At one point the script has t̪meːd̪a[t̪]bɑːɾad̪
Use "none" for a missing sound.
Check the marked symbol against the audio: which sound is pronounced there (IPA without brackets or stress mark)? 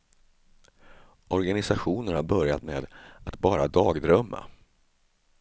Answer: t̪